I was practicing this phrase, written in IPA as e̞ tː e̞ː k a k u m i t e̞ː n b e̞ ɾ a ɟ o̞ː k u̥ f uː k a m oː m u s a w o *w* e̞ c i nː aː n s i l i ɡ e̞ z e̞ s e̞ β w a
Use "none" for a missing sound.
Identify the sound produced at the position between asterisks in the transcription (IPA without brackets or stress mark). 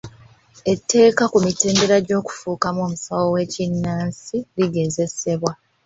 w